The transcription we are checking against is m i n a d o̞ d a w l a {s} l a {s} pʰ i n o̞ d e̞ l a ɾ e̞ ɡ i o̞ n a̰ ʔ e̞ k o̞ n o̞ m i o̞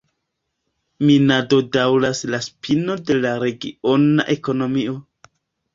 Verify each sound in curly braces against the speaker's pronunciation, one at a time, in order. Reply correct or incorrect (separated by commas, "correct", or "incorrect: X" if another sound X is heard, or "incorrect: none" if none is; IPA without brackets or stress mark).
correct, correct